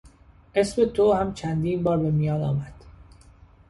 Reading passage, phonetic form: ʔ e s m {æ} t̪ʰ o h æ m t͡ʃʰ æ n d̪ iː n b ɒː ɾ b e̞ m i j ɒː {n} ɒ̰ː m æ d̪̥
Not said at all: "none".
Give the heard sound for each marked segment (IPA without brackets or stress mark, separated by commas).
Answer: e, n